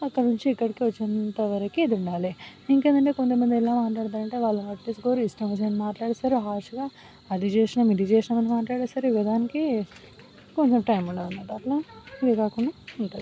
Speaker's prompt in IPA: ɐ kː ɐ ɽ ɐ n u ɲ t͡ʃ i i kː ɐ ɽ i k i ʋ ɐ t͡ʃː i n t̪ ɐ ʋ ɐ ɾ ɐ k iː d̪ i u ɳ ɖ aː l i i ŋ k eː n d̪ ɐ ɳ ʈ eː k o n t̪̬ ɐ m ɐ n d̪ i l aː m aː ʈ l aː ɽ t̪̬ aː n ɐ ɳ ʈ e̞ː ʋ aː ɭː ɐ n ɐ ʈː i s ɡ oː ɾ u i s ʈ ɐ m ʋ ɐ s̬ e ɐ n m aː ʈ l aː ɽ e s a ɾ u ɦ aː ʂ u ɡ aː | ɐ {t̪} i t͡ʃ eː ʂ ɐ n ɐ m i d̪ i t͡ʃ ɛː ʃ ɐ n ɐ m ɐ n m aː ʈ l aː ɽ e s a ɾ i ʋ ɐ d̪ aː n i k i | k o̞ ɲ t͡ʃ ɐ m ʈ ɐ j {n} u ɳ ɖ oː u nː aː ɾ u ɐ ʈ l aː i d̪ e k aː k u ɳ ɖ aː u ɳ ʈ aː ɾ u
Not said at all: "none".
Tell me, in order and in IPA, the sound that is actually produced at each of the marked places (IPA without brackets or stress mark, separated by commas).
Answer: d̪, m